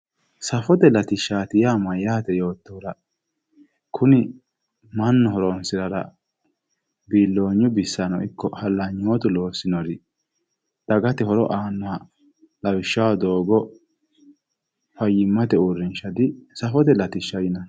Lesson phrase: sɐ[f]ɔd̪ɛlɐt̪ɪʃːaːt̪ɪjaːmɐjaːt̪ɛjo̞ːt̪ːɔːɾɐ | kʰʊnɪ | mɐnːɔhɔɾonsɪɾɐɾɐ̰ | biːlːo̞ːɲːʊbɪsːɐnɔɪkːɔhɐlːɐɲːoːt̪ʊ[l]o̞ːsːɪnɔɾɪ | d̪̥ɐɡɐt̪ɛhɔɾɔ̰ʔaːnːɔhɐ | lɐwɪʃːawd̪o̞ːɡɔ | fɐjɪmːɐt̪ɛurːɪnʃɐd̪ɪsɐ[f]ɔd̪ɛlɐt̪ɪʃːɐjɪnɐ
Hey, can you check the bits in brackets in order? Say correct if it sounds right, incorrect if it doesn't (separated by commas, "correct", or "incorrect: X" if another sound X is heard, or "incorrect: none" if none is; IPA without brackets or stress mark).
correct, correct, correct